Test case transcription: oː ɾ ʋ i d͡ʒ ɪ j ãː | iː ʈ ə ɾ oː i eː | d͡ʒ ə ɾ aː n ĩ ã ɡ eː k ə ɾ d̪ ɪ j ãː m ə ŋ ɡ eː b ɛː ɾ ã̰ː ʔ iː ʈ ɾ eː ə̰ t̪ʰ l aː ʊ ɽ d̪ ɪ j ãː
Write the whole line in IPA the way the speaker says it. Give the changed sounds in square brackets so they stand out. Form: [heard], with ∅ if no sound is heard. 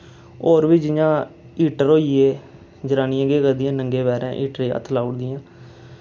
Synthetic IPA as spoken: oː ɾ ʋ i d͡ʒ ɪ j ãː | iː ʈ ə ɾ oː i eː | d͡ʒ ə ɾ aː n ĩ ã ɡ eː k ə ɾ d̪ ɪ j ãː [n] ə ŋ ɡ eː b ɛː ɾ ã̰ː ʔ iː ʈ ɾ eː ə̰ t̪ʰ l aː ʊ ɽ d̪ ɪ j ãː